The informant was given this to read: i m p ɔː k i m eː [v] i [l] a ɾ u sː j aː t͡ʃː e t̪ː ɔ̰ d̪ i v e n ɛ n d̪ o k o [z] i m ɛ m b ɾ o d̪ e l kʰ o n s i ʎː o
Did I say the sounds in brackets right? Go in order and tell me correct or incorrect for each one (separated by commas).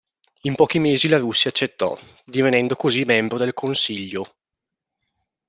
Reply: incorrect, correct, correct